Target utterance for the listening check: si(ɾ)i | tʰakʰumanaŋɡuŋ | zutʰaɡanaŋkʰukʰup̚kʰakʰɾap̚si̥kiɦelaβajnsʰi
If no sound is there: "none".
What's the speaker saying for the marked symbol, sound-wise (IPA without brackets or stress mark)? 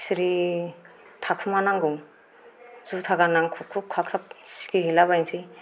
ɾ